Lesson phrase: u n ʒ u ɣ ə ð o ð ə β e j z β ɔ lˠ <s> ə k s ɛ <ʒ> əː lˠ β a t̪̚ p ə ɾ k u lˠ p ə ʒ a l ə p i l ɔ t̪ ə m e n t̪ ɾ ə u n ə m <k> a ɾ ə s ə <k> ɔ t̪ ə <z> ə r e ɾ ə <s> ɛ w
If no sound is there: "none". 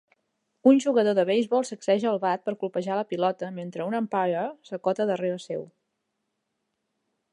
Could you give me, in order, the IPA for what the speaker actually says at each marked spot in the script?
s, ʒ, p, k, ð, s

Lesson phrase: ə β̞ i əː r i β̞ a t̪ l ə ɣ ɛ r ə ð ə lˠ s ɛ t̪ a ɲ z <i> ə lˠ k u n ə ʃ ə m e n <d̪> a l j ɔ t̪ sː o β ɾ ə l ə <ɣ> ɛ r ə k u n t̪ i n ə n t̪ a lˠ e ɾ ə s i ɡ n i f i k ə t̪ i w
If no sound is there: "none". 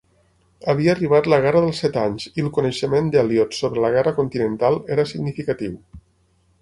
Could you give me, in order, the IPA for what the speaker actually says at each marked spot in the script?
i, d̪, ɣ

